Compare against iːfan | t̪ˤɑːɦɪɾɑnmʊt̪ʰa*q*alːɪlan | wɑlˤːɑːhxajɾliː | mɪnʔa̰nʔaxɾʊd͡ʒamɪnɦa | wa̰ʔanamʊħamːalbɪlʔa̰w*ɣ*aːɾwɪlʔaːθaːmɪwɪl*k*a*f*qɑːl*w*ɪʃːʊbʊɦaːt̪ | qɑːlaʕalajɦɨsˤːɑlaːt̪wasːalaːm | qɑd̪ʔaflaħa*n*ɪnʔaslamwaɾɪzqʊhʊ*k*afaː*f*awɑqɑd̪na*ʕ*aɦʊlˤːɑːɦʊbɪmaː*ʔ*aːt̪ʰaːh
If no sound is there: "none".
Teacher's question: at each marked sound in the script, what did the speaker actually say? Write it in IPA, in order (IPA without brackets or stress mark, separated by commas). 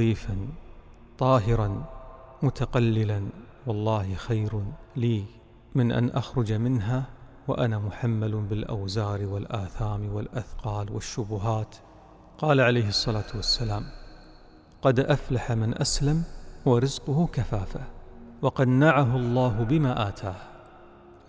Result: q, z, ʔ, θ, w, m, k, f, ʕ, ʔ